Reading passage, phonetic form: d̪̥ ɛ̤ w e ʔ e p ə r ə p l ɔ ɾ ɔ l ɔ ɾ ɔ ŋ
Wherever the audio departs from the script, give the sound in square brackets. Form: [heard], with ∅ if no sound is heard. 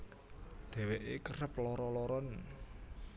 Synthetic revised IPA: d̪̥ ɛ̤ w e ʔ e [k] ə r ə p l ɔ ɾ ɔ l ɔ ɾ ɔ [n]